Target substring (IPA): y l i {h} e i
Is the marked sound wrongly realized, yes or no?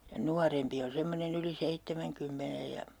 yes